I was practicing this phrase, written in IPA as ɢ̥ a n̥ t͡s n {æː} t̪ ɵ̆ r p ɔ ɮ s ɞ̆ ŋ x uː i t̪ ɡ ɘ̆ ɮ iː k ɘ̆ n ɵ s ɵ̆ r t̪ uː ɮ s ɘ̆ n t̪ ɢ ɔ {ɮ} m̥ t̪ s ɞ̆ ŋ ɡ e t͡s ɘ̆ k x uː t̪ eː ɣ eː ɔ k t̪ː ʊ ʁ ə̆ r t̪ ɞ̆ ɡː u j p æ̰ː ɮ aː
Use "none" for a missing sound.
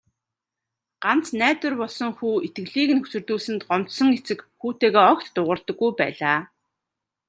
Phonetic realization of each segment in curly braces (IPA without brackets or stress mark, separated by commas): æː, none